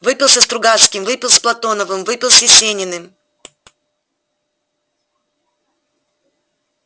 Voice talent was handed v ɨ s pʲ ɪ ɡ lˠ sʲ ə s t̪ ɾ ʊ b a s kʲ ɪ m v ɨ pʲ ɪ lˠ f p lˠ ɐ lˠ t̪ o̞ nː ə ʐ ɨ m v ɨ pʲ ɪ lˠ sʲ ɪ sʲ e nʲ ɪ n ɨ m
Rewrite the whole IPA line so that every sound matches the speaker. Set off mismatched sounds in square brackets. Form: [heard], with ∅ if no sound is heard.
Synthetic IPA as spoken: v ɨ [∅] pʲ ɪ [∅] lˠ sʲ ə s t̪ ɾ ʊ [ɡ] a s kʲ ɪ m v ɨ pʲ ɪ lˠ [s] p lˠ ɐ [∅] t̪ o̞ [n] ə [v] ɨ m v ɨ pʲ ɪ lˠ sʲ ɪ sʲ e nʲ ɪ n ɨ m